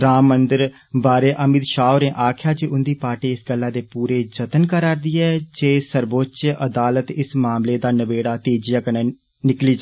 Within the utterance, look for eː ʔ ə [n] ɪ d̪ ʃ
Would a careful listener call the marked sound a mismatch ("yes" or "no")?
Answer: yes